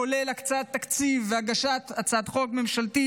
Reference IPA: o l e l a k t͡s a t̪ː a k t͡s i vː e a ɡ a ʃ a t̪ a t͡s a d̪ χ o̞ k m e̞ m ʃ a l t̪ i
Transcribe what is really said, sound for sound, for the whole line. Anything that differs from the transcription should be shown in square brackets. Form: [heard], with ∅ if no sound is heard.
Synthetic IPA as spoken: o l e l a k t͡s a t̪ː a k t͡s i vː e a ɡ a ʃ a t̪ a t͡s a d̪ χ o̞ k m e̞ m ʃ a l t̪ i